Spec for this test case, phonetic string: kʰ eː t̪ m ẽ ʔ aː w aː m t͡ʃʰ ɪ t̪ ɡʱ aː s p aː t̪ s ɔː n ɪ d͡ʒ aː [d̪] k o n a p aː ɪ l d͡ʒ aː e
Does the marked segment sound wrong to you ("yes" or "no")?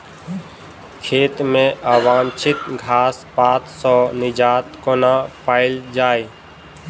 yes